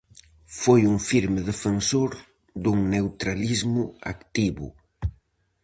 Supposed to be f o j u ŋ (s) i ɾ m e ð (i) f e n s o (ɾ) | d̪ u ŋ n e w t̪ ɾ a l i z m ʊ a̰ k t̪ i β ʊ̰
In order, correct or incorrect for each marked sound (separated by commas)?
incorrect, incorrect, correct